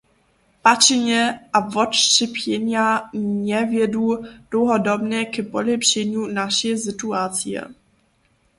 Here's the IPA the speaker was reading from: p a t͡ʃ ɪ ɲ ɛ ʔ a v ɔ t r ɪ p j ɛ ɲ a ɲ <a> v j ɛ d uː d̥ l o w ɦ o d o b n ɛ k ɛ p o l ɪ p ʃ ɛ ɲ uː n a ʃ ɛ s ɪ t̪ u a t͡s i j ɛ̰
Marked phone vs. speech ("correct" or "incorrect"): incorrect